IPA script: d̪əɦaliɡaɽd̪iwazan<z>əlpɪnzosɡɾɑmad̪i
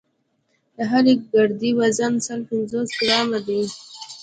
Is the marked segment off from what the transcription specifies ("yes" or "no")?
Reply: yes